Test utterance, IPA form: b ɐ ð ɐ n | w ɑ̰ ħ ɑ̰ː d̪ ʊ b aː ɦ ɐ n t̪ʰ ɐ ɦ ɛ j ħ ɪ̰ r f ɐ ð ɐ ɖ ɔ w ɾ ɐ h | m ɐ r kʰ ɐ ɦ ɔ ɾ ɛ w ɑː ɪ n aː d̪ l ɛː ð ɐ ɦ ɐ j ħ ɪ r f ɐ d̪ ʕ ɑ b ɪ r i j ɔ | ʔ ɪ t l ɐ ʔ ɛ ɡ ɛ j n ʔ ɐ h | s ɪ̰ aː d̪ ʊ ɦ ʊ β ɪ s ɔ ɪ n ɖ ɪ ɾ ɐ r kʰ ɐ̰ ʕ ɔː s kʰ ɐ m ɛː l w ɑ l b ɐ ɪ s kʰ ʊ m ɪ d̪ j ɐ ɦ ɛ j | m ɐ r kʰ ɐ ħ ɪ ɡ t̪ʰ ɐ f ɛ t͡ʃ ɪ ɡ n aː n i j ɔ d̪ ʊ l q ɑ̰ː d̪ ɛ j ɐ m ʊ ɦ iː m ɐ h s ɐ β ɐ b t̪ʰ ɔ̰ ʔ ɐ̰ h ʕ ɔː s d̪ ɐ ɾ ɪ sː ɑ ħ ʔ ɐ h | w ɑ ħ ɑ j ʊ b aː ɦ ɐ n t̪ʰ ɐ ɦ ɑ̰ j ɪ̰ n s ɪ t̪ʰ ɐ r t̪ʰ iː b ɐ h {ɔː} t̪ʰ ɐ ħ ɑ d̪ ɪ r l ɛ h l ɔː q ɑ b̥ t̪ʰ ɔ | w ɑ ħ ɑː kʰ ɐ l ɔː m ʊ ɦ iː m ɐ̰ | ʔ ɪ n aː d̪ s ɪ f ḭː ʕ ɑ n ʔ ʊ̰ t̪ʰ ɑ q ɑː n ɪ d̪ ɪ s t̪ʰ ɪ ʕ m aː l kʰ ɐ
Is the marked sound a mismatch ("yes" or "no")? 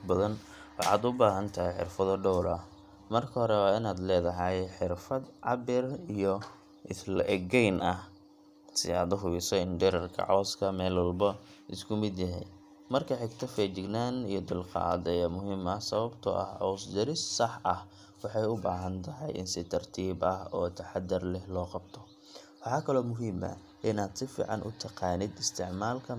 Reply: no